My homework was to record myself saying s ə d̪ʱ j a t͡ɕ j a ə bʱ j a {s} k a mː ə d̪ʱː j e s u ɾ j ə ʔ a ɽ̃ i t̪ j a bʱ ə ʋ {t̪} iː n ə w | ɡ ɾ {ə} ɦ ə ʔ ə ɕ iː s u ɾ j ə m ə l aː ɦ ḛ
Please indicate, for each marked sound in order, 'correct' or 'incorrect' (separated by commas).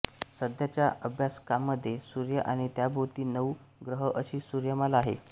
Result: correct, correct, correct